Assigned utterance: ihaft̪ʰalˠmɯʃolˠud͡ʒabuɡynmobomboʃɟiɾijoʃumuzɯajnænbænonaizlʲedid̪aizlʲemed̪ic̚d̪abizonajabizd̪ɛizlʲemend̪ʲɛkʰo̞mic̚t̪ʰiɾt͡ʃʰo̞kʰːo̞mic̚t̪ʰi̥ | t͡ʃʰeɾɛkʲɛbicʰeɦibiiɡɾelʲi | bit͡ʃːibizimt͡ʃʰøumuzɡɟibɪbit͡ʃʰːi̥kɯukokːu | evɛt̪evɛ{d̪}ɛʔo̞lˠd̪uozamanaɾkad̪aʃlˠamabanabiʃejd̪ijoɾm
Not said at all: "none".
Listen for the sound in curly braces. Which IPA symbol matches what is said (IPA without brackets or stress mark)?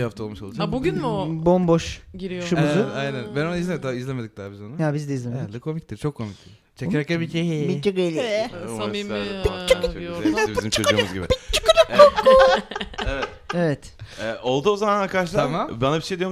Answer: t̪